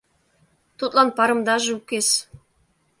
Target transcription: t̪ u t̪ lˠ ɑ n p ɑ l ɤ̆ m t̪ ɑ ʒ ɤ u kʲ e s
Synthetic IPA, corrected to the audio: t̪ u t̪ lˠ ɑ n p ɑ ɾ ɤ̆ m d̪ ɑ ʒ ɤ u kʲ e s